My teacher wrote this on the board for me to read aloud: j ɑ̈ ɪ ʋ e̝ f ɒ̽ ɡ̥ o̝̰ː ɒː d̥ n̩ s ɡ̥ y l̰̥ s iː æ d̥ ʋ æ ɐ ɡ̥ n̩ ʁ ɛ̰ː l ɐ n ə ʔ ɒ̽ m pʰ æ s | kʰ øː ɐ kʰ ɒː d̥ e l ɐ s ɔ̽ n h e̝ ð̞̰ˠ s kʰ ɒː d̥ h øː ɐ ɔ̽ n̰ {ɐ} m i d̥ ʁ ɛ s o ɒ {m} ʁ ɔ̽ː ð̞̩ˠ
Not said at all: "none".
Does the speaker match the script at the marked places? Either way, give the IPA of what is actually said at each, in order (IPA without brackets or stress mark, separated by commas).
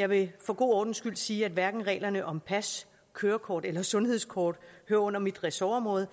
ɐ, m